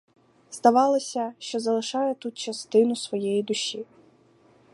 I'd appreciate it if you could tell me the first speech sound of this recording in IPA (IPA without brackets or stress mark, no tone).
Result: z